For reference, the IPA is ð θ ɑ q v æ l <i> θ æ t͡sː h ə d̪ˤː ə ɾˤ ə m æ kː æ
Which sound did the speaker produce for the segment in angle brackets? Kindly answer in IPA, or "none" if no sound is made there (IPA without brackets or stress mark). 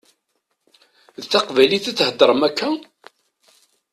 i